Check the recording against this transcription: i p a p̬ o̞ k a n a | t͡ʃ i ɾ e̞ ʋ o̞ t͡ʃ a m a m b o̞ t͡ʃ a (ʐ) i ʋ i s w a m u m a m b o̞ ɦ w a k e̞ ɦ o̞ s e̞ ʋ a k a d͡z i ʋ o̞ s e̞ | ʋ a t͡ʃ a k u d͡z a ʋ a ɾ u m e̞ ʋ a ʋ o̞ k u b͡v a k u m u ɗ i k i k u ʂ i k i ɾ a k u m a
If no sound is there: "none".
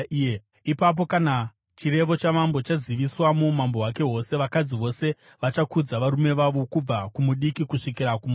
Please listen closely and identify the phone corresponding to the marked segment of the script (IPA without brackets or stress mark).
z